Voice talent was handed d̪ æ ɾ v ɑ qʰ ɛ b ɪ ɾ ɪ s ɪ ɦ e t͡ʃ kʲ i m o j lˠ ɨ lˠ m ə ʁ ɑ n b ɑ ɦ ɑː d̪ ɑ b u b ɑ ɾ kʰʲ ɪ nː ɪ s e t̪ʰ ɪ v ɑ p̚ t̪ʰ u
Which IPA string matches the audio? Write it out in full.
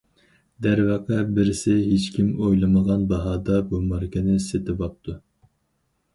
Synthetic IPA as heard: d̪ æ ɾ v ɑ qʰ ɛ b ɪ ɾ ɪ s ɪ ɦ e t͡ʃ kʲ i m o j lˠ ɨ m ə ʁ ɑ n b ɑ ɦ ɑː d̪ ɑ b u m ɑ ɾ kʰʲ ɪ n ɪ s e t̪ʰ ɪ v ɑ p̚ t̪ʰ u